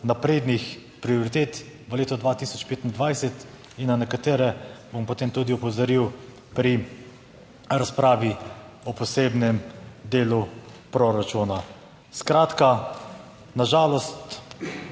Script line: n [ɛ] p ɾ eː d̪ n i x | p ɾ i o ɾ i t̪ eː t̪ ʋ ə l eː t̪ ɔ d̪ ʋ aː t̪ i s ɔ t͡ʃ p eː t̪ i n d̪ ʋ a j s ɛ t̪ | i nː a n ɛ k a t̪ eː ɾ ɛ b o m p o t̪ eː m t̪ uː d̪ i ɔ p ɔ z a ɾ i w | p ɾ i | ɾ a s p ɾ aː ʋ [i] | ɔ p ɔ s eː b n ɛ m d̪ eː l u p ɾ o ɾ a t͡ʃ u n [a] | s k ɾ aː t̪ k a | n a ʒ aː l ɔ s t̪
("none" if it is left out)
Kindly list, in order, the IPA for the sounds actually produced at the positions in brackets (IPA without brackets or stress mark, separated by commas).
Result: a, i, a